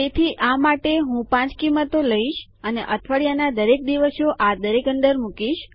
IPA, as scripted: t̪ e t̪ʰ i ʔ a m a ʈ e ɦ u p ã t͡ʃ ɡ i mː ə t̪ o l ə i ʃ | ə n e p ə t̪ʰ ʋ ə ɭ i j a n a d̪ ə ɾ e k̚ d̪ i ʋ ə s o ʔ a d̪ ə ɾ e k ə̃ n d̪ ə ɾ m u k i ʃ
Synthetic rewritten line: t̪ e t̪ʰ i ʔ a m a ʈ e ɦ ũ p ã t͡ʃ k i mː ə t̪ o l ə i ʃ | ə n e ʔ ə t̪ʰ ʋ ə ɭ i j a n a d̪ ə ɾ e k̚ d̪ i ʋ ə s o ʔ a d̪ ə ɾ e k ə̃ n d̪ ə ɾ m u k i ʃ